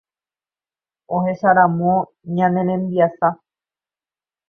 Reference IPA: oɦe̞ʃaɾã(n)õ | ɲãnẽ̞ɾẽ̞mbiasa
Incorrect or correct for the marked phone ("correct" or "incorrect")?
incorrect